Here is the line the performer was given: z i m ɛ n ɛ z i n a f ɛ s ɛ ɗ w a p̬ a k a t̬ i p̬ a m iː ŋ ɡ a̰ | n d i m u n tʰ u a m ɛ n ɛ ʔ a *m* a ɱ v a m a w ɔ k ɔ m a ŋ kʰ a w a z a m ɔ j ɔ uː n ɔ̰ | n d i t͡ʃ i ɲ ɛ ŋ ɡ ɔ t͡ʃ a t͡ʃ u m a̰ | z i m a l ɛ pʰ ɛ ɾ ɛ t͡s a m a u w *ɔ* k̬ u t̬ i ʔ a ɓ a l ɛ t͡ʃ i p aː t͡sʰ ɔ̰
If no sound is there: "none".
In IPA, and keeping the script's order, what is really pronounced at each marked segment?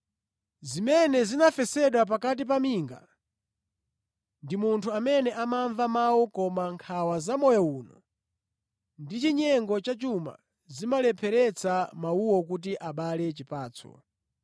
m, ɔ

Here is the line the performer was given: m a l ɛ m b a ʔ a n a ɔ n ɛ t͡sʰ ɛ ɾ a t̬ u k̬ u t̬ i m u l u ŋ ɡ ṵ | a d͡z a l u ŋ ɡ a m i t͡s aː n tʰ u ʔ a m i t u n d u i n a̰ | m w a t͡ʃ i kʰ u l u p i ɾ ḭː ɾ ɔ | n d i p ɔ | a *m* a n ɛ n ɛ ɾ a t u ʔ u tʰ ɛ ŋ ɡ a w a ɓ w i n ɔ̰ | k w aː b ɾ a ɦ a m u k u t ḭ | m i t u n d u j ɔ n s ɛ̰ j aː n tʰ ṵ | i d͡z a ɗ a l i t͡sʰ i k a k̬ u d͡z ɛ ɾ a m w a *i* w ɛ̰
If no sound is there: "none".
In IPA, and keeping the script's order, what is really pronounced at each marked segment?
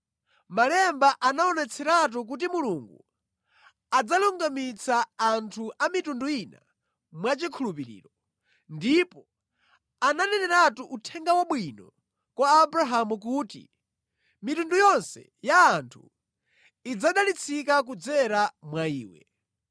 n, iː

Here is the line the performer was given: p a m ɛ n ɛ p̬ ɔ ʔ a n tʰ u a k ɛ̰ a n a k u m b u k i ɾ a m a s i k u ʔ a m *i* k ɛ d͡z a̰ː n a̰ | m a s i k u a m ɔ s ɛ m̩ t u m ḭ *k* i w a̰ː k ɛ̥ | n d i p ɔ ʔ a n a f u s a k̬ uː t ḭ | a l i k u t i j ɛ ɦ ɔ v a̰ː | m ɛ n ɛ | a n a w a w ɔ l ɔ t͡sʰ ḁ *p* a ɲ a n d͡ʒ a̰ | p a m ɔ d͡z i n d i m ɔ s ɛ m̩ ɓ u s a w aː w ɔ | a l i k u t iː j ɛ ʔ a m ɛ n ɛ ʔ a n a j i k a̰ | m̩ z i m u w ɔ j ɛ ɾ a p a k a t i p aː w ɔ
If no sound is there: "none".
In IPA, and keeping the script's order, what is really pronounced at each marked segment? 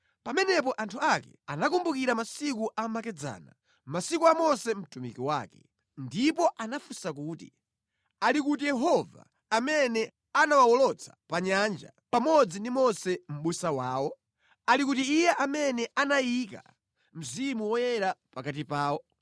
a, k, p

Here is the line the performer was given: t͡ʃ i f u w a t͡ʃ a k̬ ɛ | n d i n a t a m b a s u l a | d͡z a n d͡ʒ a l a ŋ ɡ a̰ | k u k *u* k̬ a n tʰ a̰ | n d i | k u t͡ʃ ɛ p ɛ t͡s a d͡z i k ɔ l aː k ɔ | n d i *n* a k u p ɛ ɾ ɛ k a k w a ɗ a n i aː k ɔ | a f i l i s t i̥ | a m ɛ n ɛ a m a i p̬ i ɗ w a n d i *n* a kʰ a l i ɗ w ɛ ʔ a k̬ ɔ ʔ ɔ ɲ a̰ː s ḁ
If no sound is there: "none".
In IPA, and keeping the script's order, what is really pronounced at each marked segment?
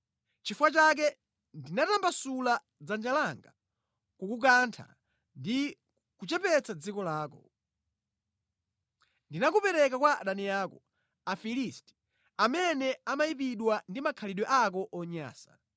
u, n, m

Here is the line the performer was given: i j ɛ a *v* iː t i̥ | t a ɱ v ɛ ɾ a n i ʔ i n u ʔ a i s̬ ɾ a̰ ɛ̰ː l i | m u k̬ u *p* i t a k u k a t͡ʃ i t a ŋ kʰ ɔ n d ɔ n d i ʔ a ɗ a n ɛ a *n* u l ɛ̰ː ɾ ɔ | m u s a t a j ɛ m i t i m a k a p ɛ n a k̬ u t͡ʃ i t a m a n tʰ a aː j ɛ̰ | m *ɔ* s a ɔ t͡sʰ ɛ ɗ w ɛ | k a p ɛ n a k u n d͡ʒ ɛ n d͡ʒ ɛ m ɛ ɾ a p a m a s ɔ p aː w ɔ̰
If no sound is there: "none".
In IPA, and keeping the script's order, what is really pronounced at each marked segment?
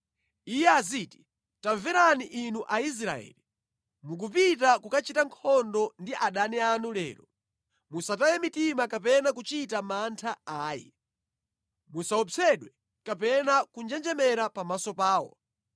z, p, n, u

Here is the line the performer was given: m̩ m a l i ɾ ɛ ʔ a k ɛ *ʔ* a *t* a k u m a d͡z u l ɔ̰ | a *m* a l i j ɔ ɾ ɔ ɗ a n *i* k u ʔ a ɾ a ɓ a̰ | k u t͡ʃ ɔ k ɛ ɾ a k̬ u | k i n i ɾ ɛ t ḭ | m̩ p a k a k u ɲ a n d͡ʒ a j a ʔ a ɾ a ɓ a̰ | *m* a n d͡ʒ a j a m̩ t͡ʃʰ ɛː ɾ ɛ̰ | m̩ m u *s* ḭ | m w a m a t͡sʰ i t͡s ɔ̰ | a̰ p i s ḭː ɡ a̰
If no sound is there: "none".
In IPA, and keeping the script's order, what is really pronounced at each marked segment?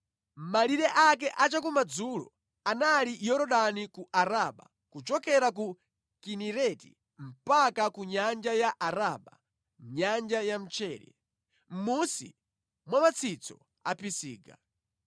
ʔ, t͡ʃ, n, i, ɲ, s

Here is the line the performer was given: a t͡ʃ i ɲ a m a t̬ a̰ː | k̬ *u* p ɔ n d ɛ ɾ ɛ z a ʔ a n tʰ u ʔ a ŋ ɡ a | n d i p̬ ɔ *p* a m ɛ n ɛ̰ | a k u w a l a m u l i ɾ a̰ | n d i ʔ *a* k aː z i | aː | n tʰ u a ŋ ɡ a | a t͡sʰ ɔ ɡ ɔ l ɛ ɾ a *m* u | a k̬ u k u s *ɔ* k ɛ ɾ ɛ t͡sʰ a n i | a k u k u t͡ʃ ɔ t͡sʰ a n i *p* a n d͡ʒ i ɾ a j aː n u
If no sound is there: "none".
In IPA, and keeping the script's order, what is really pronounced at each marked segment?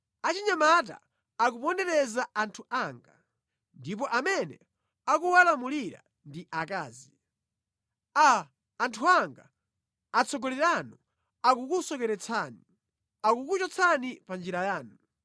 u, ʔ, a, n, ɔ, p

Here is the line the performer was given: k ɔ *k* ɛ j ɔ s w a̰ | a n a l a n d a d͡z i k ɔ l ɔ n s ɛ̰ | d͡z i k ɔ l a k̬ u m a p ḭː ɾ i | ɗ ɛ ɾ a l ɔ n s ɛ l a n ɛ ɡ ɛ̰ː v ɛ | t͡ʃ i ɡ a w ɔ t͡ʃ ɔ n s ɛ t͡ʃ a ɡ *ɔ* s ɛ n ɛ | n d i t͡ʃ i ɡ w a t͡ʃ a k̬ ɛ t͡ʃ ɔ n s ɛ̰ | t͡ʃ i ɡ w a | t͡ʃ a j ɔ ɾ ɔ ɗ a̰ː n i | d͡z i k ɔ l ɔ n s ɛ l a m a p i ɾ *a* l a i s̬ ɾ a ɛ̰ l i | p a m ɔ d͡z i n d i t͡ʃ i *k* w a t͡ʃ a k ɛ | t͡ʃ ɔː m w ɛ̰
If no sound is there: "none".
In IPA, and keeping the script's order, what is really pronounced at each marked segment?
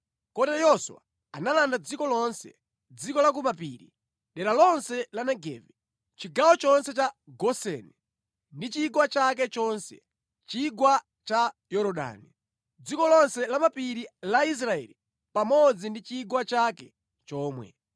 t, ɔ, i, ɡ

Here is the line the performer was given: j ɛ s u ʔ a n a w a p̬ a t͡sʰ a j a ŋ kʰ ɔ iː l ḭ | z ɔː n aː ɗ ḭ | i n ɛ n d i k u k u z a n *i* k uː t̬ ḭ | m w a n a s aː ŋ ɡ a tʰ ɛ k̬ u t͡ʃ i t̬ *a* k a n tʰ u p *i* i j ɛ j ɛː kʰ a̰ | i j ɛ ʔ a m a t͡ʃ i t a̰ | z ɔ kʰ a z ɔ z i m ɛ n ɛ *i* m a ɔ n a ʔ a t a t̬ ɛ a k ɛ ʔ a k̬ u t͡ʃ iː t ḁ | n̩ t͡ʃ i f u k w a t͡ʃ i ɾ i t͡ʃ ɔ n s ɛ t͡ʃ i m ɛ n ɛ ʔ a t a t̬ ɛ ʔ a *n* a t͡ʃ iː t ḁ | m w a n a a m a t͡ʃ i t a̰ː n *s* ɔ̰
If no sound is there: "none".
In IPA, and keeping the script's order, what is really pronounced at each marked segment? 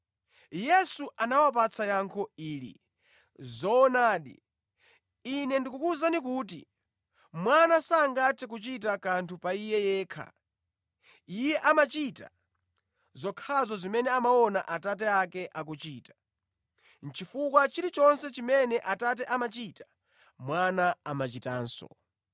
i, a, a, a, m, s

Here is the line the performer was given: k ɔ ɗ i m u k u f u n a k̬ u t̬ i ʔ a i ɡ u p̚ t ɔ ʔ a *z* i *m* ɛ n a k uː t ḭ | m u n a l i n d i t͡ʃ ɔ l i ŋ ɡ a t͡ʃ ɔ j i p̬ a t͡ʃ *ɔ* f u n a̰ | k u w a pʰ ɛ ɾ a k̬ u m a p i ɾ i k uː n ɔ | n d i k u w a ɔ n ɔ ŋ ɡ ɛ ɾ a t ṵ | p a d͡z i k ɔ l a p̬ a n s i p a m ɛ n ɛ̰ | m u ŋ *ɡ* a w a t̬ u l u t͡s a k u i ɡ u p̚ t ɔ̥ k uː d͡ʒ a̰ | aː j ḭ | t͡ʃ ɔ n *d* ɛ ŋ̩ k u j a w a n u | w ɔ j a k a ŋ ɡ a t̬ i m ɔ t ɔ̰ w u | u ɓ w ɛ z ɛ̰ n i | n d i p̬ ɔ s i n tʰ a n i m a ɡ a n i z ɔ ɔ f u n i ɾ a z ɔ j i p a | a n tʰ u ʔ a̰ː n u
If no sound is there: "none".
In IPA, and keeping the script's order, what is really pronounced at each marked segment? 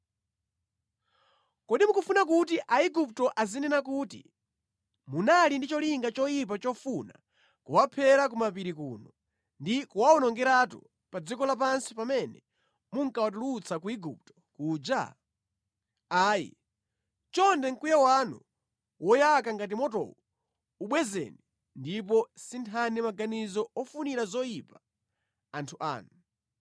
z, n, ɔ, k, d

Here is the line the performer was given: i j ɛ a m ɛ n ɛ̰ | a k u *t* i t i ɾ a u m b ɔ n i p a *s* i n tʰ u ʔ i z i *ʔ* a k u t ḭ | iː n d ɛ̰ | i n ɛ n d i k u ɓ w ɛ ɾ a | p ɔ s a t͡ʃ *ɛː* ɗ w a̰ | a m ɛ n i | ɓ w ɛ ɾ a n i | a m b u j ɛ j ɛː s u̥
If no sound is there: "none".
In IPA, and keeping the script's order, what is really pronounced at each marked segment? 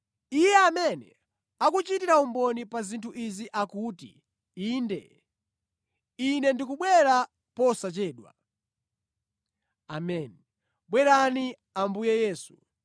t͡ʃ, z, ʔ, ɛː

